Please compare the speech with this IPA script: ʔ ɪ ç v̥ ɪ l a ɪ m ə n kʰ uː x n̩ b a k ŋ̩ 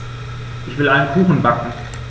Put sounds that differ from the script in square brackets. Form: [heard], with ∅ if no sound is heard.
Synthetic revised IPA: ʔ ɪ ç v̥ ɪ l a ɪ [n] ə n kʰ uː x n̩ b a k ŋ̩